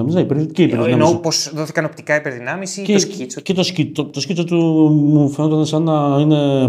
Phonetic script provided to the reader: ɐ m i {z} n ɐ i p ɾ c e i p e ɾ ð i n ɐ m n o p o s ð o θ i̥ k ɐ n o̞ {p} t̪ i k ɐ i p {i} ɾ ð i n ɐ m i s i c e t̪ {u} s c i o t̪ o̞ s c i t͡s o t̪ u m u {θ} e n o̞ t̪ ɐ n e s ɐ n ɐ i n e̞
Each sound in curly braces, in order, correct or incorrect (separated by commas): correct, correct, incorrect, incorrect, incorrect